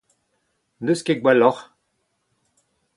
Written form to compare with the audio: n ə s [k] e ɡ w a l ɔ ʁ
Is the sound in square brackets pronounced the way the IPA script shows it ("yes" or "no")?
yes